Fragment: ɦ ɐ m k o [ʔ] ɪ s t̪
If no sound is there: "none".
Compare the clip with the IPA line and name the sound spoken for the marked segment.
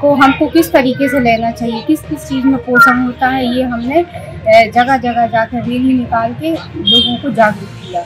k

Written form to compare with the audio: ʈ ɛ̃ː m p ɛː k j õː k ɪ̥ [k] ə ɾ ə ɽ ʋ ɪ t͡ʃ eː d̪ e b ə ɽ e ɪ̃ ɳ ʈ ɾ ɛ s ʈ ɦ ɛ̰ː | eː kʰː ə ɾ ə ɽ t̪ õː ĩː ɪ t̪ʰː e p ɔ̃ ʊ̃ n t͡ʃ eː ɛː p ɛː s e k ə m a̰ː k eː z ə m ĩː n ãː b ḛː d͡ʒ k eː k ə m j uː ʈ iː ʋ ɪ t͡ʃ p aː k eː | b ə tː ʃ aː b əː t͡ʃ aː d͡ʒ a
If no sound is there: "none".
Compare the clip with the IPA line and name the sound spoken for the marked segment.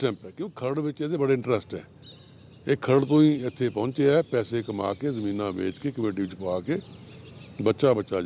kʰ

